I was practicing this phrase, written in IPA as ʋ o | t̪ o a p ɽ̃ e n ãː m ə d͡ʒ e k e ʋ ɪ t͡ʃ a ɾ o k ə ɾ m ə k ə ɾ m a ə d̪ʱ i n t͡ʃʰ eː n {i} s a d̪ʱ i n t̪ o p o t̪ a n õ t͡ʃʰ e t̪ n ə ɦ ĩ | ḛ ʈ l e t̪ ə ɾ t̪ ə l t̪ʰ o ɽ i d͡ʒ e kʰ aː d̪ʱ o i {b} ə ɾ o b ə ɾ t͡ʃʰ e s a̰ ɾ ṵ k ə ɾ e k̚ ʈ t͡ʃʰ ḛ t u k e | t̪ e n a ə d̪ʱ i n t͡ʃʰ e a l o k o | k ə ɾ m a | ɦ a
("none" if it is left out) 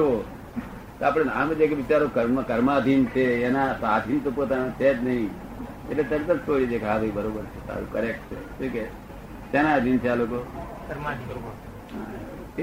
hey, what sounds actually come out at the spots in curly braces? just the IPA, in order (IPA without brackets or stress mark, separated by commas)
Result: a, b